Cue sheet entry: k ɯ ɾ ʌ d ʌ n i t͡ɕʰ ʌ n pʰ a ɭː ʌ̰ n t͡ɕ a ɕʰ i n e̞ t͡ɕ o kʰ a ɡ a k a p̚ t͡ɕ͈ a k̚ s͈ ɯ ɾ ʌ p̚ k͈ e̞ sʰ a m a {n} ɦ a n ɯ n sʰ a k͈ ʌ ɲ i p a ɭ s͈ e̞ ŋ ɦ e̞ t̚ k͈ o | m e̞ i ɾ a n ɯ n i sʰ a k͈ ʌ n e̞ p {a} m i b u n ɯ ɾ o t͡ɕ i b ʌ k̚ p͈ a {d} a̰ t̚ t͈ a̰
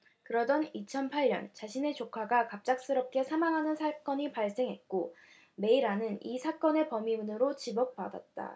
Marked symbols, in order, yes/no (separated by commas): no, no, yes